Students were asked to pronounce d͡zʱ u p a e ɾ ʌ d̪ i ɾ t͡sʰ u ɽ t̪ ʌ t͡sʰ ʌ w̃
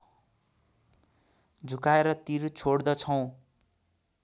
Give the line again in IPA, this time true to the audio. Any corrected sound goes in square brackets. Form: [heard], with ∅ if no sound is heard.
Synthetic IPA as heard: d͡zʱ u [k] a e ɾ ʌ [t̪] i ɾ t͡sʰ [o] ɽ [d̪] ʌ t͡sʰ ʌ w̃